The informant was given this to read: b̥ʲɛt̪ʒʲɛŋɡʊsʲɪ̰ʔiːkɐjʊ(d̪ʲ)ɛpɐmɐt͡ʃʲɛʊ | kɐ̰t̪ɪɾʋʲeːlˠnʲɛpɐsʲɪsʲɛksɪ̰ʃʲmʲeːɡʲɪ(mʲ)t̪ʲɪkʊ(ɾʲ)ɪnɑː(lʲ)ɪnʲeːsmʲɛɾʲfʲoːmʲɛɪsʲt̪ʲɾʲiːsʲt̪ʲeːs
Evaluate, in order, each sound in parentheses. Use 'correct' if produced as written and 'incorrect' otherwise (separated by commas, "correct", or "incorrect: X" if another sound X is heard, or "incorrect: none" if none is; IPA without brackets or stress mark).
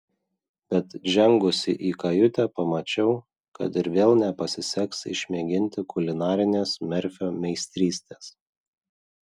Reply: incorrect: t̪ʲ, incorrect: nʲ, incorrect: lʲ, incorrect: ɾʲ